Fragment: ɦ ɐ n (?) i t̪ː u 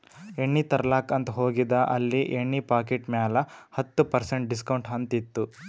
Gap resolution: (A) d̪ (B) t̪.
B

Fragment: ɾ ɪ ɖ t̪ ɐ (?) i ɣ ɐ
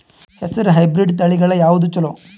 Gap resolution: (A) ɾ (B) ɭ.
B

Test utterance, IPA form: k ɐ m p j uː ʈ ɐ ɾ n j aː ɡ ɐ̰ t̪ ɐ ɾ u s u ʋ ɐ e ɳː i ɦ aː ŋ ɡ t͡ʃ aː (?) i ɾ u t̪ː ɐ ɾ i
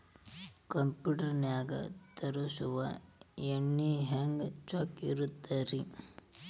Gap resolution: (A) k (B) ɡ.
A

